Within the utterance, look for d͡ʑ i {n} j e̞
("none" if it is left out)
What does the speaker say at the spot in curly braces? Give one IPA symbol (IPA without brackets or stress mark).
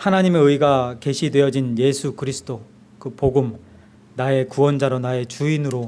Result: n